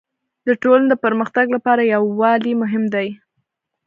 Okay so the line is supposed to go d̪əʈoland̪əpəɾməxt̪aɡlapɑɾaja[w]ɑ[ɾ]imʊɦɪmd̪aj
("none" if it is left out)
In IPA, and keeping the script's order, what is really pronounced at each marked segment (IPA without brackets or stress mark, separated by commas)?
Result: wː, l